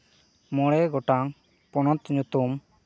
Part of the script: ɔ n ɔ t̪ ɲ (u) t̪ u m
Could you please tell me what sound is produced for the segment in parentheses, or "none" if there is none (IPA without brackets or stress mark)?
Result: u